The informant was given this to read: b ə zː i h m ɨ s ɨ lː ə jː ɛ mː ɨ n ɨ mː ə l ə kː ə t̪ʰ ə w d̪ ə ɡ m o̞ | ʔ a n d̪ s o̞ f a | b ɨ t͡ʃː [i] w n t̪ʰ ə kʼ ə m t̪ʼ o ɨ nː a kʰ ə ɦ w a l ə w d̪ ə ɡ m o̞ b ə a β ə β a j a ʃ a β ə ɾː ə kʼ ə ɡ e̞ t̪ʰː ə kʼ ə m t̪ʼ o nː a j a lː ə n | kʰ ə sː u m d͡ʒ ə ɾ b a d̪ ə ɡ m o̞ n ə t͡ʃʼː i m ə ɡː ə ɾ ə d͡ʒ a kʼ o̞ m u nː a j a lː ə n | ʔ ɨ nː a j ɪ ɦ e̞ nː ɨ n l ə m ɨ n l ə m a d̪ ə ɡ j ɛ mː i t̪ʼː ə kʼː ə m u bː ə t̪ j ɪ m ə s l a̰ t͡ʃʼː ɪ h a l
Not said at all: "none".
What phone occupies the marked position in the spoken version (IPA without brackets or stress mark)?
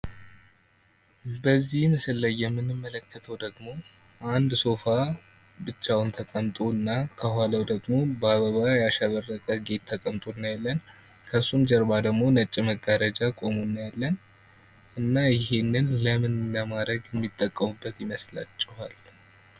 a